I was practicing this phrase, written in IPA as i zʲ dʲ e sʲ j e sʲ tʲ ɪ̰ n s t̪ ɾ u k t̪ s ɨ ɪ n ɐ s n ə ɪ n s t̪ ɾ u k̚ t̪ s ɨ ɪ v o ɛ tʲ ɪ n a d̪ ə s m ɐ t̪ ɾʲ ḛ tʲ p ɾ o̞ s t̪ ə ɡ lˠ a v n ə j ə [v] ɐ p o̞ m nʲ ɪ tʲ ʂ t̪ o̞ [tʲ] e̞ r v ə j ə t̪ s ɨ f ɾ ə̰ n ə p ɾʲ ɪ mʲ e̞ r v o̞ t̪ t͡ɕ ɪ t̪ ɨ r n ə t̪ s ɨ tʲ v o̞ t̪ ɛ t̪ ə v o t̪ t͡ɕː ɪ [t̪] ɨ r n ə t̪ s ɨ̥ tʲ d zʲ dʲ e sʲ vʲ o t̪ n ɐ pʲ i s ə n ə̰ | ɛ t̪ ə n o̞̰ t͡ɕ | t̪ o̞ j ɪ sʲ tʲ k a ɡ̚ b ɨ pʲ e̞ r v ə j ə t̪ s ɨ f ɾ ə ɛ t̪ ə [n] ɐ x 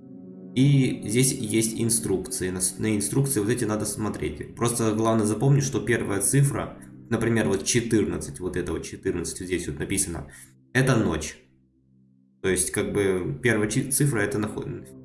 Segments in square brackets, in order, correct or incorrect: incorrect: z, incorrect: pʲ, correct, correct

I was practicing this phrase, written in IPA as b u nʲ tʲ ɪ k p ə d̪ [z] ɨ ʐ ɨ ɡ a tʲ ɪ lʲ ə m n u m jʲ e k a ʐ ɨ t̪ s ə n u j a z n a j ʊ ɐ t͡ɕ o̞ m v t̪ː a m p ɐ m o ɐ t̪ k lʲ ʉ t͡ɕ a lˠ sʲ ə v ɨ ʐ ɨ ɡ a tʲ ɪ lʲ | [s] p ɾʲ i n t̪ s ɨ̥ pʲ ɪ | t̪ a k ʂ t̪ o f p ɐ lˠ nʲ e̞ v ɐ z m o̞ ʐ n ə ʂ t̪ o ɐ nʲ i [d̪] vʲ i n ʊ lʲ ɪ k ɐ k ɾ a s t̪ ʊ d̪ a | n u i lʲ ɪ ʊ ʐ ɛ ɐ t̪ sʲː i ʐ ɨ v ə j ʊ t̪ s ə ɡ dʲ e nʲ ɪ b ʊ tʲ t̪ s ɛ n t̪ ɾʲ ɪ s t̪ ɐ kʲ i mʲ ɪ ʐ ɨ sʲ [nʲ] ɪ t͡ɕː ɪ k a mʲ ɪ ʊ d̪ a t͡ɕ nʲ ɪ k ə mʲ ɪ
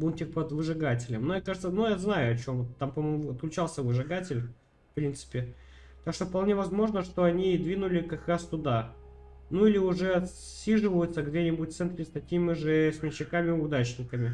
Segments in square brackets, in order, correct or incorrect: incorrect: v, incorrect: f, correct, incorrect: mʲ

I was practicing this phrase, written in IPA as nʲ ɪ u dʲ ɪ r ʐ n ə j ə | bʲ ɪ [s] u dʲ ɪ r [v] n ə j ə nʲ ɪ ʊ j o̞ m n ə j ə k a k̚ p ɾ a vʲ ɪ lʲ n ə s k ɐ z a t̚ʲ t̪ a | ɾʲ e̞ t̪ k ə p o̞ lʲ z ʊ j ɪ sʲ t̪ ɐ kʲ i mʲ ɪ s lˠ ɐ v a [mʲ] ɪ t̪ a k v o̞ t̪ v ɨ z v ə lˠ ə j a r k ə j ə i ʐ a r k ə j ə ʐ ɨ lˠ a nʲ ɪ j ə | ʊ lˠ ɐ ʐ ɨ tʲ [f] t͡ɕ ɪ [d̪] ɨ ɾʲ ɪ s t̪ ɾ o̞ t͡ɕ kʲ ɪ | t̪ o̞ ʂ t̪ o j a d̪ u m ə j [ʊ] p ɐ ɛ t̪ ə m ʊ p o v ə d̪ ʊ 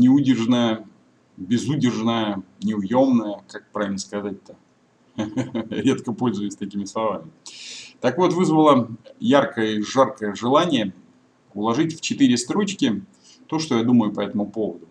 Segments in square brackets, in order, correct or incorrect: incorrect: z, incorrect: ʐ, correct, correct, incorrect: t̪, correct

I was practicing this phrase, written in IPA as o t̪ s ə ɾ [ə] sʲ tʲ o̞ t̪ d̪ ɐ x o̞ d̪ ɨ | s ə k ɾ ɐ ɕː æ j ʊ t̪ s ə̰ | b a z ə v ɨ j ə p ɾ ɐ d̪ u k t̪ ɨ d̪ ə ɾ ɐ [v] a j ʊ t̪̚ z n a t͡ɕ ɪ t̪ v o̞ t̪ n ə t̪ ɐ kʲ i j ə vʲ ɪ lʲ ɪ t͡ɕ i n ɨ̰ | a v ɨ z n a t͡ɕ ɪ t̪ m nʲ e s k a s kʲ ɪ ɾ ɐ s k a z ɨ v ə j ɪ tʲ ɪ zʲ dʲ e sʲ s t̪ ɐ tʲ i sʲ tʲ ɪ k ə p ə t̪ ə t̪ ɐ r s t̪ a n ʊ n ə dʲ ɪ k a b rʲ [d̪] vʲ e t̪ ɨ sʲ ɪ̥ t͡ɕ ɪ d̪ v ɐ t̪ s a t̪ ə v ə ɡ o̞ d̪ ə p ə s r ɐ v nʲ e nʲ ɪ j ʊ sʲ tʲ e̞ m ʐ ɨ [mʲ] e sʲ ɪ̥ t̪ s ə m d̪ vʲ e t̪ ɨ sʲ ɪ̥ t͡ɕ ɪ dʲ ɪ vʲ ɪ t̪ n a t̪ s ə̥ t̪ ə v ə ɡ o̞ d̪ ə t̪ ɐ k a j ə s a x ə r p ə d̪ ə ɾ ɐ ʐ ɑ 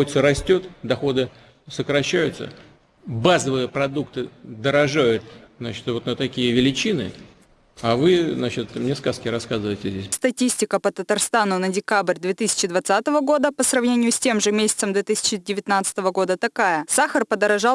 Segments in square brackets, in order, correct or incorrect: incorrect: ɐ, incorrect: ʐ, correct, correct

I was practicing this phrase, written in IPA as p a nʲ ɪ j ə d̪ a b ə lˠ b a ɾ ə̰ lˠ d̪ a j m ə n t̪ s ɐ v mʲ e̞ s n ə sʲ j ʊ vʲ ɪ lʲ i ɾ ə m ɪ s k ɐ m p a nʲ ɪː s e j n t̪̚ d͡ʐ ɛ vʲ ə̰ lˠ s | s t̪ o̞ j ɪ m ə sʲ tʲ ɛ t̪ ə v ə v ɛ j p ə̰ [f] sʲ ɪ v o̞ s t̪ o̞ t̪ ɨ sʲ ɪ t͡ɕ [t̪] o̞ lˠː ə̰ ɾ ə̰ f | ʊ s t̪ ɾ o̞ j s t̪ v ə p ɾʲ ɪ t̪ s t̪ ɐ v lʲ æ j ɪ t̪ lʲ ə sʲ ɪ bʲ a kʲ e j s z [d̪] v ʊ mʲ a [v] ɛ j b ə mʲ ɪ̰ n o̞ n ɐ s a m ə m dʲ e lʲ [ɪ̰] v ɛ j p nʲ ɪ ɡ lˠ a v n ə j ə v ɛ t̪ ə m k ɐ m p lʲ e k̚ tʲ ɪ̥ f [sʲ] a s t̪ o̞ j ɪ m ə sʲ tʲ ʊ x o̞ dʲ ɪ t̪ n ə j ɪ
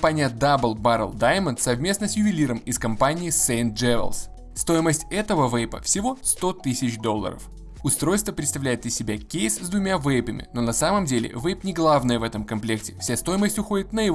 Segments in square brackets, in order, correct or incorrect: correct, incorrect: d̪, correct, correct, correct, correct

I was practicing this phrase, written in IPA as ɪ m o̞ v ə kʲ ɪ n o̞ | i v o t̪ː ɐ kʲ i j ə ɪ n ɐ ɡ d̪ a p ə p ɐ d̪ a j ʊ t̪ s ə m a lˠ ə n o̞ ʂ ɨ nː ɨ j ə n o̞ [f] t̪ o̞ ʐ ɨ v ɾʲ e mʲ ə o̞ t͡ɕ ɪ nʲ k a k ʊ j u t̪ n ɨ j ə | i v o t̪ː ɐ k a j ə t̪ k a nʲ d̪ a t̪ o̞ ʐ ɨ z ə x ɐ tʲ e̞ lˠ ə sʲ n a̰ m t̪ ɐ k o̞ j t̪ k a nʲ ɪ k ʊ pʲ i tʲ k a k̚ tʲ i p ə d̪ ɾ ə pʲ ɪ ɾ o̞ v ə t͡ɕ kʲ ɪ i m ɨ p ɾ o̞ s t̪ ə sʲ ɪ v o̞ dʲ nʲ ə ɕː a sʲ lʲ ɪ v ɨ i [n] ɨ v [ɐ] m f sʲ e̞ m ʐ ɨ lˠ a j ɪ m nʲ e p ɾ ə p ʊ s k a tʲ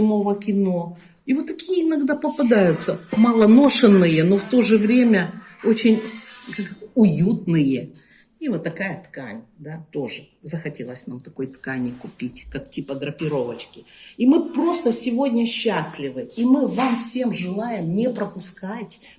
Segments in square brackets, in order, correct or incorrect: correct, incorrect: m, incorrect: a

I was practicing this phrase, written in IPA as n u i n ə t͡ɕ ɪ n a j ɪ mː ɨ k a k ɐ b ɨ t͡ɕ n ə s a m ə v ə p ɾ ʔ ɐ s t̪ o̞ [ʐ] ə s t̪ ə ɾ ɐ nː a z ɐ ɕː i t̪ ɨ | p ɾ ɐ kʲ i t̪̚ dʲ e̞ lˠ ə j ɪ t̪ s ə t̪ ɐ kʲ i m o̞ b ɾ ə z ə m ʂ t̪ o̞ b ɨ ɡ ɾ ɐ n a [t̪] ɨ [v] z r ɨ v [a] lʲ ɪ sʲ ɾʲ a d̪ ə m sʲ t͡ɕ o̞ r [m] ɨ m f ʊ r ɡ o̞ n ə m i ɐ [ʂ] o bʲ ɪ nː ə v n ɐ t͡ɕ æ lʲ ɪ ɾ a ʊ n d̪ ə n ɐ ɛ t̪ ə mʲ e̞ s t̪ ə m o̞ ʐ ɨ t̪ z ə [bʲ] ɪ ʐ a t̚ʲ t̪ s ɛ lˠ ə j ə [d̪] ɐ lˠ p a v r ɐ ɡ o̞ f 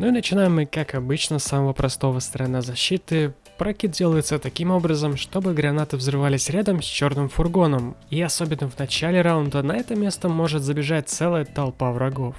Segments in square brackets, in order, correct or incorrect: incorrect: v, correct, correct, correct, incorrect: n, incorrect: s, correct, incorrect: t̪

